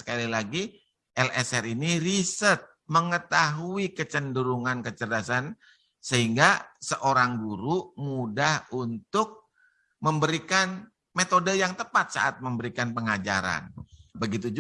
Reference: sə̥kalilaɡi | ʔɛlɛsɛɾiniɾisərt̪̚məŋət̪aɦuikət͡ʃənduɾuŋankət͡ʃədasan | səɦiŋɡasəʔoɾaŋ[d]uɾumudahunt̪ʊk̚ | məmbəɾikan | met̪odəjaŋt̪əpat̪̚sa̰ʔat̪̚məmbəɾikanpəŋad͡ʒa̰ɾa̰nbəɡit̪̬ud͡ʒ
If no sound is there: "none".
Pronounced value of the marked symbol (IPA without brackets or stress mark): ɡ